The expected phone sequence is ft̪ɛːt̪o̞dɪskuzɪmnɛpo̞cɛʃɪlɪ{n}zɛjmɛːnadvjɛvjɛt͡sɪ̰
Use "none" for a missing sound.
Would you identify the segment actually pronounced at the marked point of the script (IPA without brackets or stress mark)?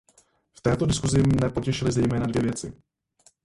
none